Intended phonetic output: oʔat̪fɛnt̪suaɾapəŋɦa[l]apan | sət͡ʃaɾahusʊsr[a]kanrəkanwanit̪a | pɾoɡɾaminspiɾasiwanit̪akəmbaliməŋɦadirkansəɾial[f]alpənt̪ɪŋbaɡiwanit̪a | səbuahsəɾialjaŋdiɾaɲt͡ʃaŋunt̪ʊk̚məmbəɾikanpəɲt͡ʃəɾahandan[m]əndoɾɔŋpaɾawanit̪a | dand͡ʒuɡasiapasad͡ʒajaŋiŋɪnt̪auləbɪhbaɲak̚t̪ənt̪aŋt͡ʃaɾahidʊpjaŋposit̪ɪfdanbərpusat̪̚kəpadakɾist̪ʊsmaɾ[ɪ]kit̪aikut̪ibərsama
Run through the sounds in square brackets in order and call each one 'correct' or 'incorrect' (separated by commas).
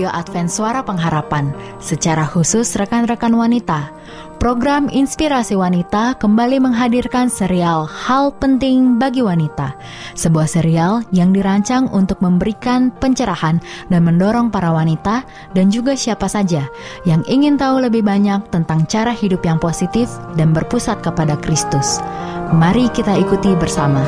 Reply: incorrect, incorrect, incorrect, correct, incorrect